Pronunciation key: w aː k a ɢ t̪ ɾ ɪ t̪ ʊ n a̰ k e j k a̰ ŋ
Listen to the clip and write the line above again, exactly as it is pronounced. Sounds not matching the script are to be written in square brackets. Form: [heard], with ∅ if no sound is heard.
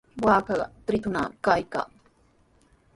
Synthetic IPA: w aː k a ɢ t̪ ɾ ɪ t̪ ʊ n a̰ k [a] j k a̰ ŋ

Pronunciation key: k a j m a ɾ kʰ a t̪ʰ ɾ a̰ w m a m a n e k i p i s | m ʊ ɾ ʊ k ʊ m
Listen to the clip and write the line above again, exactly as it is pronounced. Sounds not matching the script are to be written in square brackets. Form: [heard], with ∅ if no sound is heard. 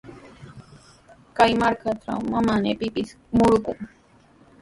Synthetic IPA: k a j m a ɾ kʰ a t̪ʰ ɾ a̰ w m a m a n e [p] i p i s | m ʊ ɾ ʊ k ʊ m

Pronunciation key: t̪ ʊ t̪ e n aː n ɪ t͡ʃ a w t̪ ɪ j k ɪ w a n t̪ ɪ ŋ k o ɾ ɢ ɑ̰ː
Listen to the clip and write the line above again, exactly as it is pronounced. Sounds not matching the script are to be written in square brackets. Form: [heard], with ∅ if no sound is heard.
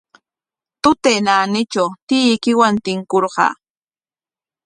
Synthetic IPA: t̪ ʊ t̪ e n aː n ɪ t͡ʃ a w t̪ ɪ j k ɪ w a n t̪ ɪ ŋ k o ɾ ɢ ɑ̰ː

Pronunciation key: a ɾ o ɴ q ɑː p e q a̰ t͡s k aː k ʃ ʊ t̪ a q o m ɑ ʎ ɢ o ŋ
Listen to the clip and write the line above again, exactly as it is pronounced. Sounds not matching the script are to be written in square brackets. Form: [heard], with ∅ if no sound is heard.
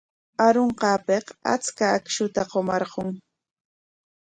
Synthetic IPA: a ɾ o ɴ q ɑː p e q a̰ t͡s k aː k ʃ ʊ t̪ a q o m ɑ [ɾ] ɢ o ŋ

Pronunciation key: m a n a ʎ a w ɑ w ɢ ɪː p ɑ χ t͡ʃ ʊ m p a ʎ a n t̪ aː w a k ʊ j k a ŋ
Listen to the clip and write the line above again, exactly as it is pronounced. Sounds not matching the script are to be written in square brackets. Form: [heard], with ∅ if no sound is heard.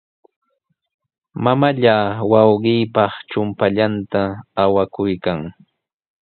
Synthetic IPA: m a [m] a ʎ a w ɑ w ɢ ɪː p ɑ χ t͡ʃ ʊ m p a ʎ a n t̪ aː w a k ʊ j k a ŋ

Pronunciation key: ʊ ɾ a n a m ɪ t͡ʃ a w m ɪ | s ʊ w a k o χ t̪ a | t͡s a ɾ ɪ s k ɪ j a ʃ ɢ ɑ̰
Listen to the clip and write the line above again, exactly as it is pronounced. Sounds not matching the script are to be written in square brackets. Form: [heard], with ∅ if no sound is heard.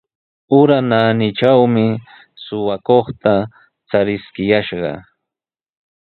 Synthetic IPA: ʊ ɾ a n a [n] ɪ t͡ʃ a w m ɪ | s ʊ w a k o χ t̪ a | t͡s a ɾ ɪ s k ɪ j a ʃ ɢ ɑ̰

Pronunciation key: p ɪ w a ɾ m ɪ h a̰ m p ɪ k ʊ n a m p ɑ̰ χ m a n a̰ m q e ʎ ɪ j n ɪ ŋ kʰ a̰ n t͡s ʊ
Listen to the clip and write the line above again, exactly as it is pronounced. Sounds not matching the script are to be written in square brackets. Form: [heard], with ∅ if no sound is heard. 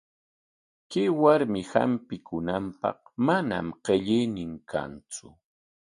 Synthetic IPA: [k] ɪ w a ɾ m ɪ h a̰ m p ɪ k ʊ n a m p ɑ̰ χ m a n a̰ m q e ʎ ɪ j n ɪ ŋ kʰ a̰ n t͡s ʊ

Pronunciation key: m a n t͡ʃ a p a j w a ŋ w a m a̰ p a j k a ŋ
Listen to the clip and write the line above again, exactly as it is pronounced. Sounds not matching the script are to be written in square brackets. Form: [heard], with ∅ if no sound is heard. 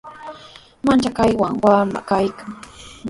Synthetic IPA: m a n t͡ʃ a [k] a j w a ŋ w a m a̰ [k] a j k a ŋ

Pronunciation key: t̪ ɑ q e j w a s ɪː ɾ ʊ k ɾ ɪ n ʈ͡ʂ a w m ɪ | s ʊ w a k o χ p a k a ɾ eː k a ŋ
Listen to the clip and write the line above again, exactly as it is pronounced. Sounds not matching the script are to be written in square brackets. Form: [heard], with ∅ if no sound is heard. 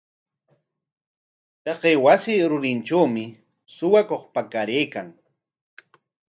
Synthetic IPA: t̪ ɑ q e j w a s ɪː ɾ ʊ [∅] ɾ ɪ n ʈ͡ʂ a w m ɪ | s ʊ w a k o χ p a k a ɾ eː k a ŋ

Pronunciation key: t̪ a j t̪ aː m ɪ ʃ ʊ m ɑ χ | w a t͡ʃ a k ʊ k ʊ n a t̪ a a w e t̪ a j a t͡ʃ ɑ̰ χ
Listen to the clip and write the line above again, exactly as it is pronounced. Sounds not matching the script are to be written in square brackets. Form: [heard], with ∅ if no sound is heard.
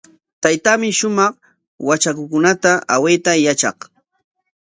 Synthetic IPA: t̪ a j t̪ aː m ɪ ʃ ʊ m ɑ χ | w a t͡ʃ a k ʊ k ʊ n a t̪ a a w e t̪ a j a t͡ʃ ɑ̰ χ

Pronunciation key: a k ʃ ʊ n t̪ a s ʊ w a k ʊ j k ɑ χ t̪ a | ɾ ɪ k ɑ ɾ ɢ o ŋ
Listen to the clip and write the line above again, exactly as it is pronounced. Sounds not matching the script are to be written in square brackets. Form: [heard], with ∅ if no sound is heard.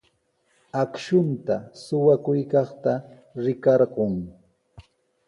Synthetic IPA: a k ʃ ʊ n t̪ a s ʊ w a k ʊ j k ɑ χ t̪ a | ɾ ɪ k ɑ ɾ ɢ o ŋ

